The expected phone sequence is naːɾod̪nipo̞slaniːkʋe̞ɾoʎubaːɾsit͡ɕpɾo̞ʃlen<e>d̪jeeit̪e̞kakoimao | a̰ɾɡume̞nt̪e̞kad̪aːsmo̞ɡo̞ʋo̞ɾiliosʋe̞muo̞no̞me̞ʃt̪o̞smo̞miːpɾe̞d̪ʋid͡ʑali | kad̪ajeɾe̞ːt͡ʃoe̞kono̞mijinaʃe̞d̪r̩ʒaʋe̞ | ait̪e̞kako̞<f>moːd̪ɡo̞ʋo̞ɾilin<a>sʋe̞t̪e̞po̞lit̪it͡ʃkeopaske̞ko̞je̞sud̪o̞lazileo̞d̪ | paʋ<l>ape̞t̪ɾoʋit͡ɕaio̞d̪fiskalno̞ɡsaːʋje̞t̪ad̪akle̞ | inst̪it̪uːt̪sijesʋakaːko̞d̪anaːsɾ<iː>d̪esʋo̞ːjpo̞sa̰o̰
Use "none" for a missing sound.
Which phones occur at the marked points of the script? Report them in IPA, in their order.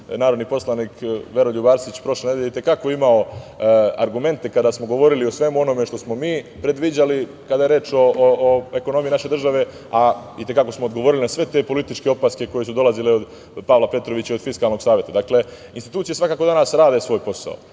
e, s, a, l, aː

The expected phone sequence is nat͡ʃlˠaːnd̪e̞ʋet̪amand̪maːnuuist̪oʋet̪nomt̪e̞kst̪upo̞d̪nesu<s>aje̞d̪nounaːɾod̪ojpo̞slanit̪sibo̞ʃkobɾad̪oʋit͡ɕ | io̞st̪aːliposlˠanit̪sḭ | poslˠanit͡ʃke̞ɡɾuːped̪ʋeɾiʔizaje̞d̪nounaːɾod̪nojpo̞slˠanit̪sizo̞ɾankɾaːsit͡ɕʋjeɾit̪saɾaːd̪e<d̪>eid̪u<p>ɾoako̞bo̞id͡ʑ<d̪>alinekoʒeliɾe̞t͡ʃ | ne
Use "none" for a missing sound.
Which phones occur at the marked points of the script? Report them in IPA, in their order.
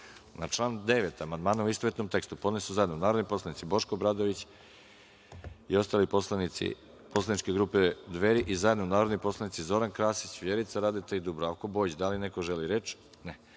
z, t̪, b, d̪

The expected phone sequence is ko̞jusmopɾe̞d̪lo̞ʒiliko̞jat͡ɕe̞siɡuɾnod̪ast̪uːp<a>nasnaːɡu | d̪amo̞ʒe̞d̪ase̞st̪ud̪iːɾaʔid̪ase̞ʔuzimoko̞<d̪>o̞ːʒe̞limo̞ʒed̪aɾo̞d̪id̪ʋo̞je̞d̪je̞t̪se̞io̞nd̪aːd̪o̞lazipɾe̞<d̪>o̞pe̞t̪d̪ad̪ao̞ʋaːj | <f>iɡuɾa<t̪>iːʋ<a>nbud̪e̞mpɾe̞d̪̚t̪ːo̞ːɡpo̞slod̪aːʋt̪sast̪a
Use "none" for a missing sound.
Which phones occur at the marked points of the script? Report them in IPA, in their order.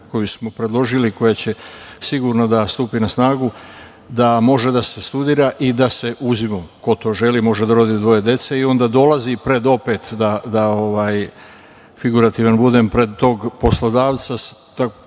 i, t̪, d̪, f, t̪, a

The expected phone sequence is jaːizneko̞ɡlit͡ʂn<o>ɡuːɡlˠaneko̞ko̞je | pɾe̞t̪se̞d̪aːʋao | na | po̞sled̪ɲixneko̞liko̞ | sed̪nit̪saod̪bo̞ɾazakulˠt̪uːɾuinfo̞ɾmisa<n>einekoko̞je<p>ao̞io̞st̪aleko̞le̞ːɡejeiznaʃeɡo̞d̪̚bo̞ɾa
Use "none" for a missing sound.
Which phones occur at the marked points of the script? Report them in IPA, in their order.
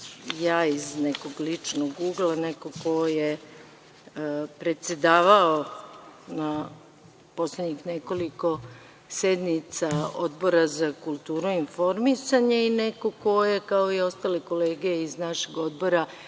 o, ɲ, k

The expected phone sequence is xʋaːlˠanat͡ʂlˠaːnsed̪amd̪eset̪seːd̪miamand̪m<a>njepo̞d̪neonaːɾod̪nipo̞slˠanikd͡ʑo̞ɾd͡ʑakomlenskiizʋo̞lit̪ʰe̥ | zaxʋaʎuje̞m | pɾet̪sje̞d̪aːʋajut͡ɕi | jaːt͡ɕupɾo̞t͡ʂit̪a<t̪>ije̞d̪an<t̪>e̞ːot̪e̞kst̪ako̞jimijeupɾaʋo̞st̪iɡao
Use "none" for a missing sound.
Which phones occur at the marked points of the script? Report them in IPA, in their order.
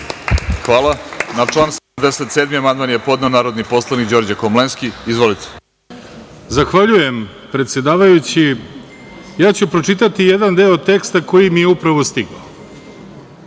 a, t̪, d̪

